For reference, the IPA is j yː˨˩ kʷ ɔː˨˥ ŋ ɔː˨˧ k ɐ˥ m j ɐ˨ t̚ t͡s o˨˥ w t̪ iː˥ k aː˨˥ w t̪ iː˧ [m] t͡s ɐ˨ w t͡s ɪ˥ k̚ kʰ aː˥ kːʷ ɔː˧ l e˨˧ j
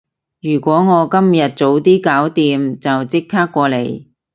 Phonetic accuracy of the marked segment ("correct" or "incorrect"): correct